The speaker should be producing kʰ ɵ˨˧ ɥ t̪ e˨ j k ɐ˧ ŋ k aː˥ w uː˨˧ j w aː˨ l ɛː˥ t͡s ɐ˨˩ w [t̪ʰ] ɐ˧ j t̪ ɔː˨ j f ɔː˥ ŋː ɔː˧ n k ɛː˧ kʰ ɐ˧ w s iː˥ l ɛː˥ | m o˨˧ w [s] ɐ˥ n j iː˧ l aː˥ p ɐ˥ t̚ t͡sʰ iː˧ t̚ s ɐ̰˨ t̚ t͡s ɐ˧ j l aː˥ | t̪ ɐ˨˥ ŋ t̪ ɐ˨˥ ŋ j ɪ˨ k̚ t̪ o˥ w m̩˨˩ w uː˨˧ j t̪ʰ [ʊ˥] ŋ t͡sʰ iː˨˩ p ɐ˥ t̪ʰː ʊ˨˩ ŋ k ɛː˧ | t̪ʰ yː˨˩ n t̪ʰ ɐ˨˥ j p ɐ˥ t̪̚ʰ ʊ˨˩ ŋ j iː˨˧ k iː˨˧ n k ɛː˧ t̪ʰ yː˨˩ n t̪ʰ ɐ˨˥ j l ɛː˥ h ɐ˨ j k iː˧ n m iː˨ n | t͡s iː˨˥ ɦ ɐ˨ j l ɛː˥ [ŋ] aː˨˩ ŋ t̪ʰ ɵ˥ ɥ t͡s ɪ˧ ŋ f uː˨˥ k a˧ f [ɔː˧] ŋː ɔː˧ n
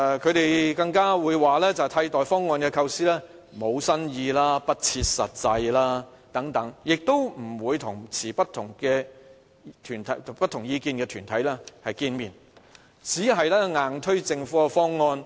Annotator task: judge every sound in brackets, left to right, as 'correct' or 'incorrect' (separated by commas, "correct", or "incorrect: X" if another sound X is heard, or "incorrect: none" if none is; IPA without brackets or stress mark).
correct, correct, incorrect: ʊ˨˩, correct, incorrect: ɔː˥